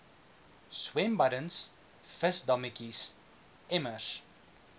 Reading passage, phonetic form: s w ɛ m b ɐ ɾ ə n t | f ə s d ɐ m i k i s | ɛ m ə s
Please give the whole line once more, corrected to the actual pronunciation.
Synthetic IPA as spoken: s w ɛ m b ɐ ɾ ə n s | f ə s d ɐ m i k i s | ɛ m ə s